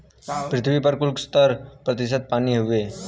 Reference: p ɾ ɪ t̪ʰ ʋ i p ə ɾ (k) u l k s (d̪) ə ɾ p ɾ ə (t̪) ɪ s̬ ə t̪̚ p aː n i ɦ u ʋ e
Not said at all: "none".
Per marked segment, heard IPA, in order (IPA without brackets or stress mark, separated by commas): k, t̪, t̪